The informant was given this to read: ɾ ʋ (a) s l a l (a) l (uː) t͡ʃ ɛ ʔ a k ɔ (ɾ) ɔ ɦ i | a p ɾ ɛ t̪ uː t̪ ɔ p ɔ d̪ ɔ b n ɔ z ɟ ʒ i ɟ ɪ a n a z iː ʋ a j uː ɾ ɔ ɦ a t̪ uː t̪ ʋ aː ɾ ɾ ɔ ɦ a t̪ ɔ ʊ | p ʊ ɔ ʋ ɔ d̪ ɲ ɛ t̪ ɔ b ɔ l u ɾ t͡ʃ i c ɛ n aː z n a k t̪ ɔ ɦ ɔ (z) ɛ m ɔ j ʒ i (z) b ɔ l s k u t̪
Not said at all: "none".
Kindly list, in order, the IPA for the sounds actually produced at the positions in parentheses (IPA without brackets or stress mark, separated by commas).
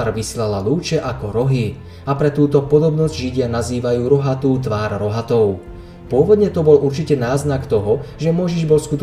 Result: i, a, uː, ɾ, ʒ, ʒ